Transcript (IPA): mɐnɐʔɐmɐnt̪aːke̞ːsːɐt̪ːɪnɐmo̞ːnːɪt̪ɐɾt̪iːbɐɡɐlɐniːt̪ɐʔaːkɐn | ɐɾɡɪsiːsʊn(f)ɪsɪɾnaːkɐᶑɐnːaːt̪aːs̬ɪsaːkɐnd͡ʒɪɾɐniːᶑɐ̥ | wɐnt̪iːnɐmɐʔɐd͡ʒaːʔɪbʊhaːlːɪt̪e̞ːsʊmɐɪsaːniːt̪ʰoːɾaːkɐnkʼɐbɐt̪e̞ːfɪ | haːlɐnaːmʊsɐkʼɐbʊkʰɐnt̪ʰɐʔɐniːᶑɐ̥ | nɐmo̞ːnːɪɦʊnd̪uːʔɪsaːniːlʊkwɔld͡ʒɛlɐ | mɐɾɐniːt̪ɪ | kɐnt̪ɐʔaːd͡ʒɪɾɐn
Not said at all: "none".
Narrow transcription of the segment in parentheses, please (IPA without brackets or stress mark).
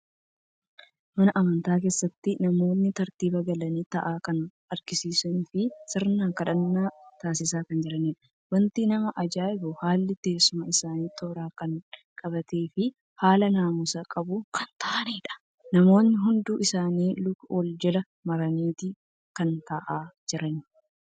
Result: f